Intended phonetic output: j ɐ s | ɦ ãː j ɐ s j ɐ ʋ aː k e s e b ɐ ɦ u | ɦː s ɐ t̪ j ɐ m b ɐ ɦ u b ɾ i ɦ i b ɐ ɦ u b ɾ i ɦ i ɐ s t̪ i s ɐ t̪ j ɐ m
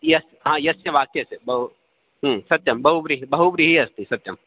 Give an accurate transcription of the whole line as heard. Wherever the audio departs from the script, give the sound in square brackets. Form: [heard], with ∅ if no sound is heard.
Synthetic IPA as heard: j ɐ s | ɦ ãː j ɐ s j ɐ ʋ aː k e s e b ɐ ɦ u | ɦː s ɐ t̪ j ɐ m b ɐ ɦ u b ɾ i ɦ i b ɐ ɦ u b ɾ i ɦ i ɐ s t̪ i s ɐ t̪ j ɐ m